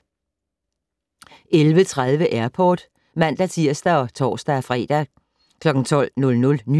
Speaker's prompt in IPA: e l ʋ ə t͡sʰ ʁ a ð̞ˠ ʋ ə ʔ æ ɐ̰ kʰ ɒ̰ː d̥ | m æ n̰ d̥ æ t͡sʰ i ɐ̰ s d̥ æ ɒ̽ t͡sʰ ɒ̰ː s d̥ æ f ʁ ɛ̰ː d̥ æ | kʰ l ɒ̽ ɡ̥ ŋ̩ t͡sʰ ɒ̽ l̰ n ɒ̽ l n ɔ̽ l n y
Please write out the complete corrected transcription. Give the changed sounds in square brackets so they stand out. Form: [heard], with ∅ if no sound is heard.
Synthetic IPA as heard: e l ʋ ə t͡sʰ ʁ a ð̞ˠ ʋ ə ʔ æ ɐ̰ [pʰ] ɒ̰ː d̥ | m æ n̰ d̥ æ t͡sʰ i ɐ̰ s d̥ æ ɒ̽ t͡sʰ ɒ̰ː s d̥ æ f ʁ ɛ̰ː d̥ æ | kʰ l ɒ̽ ɡ̥ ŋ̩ t͡sʰ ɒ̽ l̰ n [ɔ̽] l n ɔ̽ l n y